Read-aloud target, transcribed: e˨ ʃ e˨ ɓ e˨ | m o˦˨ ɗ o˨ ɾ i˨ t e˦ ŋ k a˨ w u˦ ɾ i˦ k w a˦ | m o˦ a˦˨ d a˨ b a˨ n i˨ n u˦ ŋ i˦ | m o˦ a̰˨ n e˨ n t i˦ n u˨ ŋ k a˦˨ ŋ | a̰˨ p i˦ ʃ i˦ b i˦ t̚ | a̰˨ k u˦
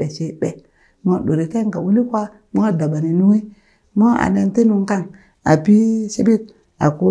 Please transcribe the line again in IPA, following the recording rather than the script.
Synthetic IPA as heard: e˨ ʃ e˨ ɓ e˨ | m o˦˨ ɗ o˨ ɾ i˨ t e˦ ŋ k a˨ w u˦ l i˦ k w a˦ | m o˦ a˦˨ d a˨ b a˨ n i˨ n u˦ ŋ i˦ | m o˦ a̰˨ n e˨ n t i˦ n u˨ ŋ k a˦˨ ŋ | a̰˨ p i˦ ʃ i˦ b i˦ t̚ | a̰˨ k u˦